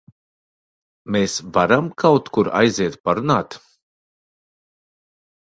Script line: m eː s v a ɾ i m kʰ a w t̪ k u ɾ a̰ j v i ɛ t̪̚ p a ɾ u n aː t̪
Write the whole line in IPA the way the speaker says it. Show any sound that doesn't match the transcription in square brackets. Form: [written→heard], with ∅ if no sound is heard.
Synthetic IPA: m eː s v a ɾ [i→a] m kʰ a w t̪ k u ɾ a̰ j [v→z] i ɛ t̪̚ p a ɾ u n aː t̪